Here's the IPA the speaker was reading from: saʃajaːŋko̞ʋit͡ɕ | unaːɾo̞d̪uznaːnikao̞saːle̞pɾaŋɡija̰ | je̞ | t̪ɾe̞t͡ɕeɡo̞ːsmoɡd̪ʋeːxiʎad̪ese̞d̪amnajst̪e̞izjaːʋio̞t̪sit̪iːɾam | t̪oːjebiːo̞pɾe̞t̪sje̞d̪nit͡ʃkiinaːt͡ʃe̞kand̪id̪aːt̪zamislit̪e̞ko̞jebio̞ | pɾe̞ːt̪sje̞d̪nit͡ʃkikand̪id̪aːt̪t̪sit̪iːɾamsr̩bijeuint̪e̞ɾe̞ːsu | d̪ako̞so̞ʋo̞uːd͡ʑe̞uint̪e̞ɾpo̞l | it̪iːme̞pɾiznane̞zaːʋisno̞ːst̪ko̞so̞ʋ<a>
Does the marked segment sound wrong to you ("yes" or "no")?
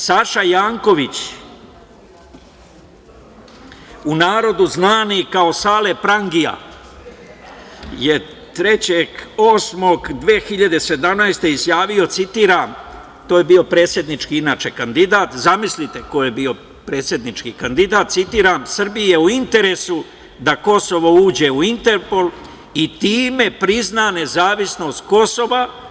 no